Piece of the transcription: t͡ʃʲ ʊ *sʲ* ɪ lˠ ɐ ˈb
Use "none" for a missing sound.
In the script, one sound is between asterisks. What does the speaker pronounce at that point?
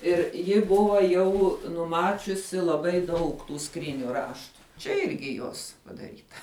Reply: sʲ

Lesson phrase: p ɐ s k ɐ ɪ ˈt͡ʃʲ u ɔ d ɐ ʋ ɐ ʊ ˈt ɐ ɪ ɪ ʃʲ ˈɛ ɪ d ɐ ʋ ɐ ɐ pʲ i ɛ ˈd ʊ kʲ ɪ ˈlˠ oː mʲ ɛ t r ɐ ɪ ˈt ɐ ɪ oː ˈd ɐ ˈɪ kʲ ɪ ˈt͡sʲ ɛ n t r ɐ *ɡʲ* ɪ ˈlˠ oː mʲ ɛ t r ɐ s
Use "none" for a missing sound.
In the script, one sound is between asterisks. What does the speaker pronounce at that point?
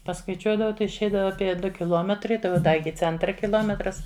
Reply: kʲ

